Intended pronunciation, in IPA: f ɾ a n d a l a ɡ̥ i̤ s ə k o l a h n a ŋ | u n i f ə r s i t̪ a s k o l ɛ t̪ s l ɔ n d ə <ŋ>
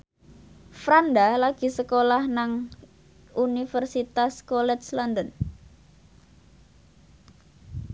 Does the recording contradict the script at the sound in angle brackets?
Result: yes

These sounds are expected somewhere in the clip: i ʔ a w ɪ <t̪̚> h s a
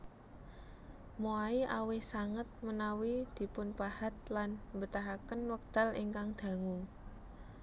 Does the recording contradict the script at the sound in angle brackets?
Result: yes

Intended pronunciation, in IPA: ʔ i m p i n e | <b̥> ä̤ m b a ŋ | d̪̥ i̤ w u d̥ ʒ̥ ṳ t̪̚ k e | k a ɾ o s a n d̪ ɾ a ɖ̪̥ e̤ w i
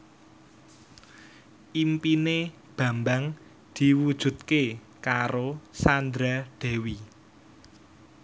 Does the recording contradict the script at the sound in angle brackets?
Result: no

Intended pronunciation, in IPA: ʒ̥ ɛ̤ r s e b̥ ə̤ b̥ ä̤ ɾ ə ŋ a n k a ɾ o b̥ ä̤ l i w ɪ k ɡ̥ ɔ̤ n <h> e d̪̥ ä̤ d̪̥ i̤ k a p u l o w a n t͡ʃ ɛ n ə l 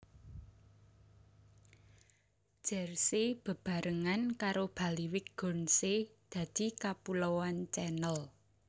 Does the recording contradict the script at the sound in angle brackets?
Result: yes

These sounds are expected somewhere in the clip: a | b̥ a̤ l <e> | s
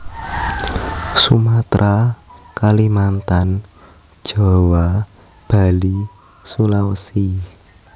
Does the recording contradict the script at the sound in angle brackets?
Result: yes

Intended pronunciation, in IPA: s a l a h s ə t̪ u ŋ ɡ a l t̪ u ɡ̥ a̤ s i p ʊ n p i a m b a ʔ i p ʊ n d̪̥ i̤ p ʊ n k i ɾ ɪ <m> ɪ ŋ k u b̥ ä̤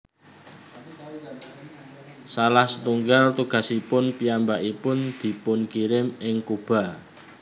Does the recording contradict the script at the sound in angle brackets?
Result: no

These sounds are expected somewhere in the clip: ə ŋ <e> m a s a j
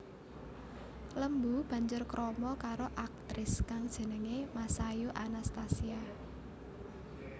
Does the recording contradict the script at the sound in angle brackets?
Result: no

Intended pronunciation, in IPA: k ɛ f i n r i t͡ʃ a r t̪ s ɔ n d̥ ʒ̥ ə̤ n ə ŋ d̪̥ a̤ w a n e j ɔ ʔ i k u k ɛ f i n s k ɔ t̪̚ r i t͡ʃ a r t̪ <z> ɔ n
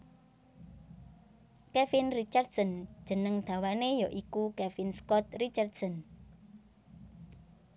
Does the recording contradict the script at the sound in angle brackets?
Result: yes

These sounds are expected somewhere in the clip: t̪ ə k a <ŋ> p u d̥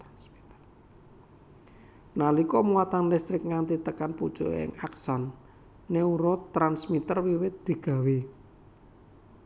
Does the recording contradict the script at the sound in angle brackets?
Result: yes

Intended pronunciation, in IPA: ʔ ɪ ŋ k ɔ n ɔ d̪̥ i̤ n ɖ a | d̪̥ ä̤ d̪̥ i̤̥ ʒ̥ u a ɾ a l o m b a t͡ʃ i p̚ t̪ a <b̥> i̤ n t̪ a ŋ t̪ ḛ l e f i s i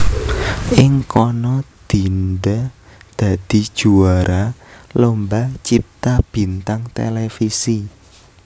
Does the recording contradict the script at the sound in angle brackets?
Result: no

